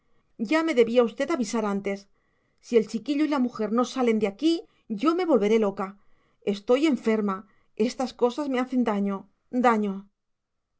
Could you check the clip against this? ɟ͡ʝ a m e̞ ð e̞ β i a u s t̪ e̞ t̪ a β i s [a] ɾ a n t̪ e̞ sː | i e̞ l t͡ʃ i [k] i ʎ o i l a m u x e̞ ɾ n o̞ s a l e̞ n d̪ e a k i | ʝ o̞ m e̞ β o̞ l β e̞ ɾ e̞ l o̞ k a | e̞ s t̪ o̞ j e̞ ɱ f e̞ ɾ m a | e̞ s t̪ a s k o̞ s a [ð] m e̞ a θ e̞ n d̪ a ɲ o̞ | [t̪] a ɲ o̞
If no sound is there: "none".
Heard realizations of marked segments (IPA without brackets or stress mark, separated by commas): a, k, z, d̪